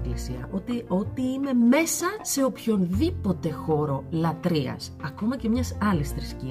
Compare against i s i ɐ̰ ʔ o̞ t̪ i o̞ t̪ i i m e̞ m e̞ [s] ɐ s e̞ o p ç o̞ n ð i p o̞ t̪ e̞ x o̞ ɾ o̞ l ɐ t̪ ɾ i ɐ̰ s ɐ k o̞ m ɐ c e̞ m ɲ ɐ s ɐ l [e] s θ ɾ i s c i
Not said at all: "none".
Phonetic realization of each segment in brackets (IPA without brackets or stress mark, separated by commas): s, i